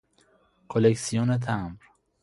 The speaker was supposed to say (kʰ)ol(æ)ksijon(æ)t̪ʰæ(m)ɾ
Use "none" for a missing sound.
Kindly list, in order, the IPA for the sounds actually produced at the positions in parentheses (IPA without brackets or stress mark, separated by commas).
kʰ, e, e, m